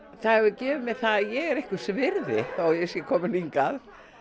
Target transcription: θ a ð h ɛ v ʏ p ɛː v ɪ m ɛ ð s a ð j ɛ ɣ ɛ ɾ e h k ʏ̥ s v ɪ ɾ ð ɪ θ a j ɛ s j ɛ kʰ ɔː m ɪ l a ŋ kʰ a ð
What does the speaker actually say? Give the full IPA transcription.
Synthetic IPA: θ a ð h ɛ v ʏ c ɛː v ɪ m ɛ ð θ a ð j ɛ ɣ ɛ ɾ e h k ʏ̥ s v ɪ ɾ ð ɪ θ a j ɛ s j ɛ kʰ ɔː m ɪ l i ŋ k a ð